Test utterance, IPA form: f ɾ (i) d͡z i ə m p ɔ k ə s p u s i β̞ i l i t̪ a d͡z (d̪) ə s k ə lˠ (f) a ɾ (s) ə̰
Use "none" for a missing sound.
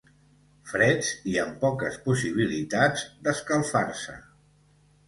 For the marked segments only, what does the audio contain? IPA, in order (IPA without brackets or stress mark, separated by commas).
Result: ɛ, d̪, f, s